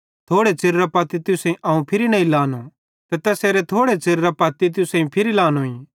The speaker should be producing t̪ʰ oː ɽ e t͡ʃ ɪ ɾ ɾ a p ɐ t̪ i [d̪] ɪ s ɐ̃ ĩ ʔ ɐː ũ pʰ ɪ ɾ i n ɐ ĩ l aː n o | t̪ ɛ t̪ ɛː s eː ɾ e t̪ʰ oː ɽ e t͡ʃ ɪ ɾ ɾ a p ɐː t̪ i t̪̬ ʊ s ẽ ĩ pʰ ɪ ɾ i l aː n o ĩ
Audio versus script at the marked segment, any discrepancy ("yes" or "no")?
yes